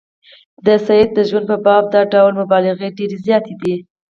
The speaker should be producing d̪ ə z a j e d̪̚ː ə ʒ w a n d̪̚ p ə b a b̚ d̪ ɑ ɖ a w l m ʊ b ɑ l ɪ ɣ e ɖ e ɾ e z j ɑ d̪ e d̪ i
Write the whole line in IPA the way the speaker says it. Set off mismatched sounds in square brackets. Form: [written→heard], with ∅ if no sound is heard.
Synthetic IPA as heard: d̪ ə [z→s] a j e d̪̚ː ə ʒ w a n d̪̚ p ə b [a→ɑ] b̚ d̪ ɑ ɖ a w l m ʊ b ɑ l ɪ ɣ e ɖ e ɾ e z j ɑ [d̪→t̪] e d̪ i